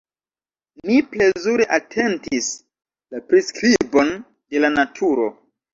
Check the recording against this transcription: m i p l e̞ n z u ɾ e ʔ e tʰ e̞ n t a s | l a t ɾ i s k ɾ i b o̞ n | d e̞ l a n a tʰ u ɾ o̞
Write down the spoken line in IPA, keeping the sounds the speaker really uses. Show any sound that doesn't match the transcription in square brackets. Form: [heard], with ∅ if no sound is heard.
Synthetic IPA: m i p l e̞ [∅] z u ɾ e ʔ [a] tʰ e̞ n t [i] s | l a [p] ɾ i s k ɾ i b o̞ n | d e̞ l a n a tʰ u ɾ o̞